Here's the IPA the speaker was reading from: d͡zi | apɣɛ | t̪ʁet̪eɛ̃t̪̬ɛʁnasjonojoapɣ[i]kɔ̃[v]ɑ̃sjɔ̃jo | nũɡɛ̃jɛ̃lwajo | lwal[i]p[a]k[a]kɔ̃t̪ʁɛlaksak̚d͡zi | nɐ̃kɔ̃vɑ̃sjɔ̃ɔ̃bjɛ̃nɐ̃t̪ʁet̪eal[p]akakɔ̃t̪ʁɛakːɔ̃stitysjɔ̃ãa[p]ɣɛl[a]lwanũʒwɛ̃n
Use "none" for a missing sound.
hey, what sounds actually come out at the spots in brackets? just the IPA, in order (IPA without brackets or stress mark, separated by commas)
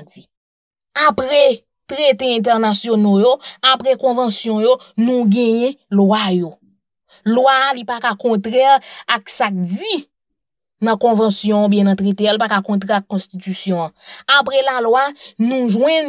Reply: ɛ, v, i, a, a, p, p, a